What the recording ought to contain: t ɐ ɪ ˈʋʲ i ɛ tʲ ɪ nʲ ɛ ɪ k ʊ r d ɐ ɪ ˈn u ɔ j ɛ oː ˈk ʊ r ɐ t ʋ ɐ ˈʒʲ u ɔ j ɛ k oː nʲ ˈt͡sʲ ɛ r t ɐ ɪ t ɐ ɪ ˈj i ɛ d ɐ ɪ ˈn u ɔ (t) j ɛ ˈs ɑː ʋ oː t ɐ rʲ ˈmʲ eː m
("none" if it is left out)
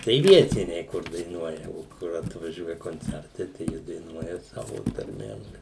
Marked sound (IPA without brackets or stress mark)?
none